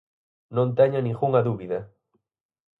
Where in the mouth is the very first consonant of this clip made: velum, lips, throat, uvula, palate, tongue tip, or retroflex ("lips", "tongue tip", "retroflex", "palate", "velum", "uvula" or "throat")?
tongue tip